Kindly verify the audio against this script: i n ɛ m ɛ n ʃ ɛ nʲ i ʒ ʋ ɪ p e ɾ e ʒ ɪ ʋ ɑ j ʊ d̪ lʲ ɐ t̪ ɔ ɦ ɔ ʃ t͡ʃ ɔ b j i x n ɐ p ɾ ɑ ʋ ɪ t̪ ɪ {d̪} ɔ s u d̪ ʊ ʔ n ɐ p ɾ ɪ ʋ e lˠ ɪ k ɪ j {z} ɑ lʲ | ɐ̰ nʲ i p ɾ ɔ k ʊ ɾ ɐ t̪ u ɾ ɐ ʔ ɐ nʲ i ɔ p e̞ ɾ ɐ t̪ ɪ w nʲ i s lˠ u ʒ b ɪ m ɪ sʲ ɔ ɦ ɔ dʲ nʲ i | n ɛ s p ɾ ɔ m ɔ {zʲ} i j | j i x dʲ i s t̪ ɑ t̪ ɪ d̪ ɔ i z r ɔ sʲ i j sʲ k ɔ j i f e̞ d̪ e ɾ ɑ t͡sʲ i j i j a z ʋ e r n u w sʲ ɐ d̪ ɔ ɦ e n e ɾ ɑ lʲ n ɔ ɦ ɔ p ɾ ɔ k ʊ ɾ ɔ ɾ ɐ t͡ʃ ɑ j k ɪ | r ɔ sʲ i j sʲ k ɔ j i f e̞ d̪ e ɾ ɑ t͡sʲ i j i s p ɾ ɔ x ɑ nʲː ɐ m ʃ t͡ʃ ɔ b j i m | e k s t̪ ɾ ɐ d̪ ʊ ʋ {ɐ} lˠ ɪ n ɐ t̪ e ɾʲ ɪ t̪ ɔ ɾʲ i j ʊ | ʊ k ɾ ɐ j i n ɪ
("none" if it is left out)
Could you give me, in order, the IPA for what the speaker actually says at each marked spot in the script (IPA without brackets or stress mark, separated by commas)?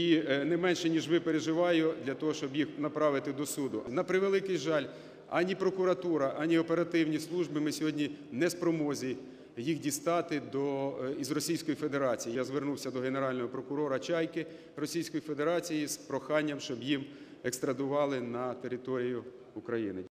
d̪, ʒ, zʲ, ɑ